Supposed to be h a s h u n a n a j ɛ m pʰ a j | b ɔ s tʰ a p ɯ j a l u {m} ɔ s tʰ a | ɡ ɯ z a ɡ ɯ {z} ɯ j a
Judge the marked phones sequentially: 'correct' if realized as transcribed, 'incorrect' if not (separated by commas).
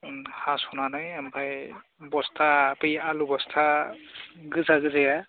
incorrect, correct